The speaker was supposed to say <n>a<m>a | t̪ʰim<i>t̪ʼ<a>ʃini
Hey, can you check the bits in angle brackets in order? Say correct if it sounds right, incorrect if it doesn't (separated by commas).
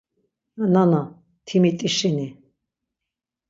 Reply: correct, incorrect, correct, incorrect